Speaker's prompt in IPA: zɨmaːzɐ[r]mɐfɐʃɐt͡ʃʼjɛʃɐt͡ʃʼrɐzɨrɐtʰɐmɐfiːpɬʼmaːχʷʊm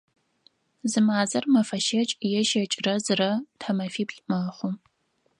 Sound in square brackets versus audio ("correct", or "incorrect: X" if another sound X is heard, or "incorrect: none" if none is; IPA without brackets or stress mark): correct